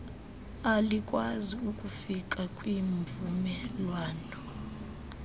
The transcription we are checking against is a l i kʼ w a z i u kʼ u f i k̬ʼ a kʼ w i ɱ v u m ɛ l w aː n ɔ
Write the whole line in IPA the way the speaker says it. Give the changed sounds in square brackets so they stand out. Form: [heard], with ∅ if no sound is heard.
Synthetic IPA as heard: a l i kʼ w a z i u kʼ u f i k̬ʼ a kʼ w i ɱ v u m ɛ l w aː n ɔ